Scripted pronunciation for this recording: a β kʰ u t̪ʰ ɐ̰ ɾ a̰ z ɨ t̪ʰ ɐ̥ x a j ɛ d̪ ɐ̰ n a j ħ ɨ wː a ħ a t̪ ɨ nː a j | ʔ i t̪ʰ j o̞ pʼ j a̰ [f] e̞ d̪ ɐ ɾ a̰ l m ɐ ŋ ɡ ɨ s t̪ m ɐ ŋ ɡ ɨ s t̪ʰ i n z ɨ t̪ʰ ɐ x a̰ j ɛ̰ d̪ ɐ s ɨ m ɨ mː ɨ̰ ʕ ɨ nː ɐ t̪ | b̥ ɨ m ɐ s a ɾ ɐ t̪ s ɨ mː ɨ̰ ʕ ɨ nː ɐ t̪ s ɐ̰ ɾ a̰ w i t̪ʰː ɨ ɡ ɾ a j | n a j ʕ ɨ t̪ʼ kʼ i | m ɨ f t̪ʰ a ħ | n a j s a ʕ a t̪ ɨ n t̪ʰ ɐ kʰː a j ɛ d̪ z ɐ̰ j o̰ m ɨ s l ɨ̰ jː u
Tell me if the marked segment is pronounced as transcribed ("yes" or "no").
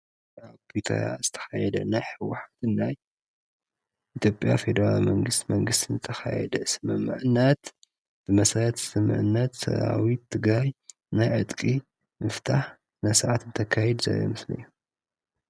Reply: yes